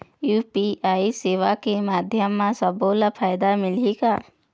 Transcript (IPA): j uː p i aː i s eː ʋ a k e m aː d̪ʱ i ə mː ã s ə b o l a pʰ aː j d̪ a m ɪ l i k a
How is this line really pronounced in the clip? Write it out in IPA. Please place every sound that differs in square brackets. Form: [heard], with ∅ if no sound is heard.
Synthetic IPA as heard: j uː p i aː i s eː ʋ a k e m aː d̪ʱ [j] ə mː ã s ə b o l a pʰ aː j d̪ a m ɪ l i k a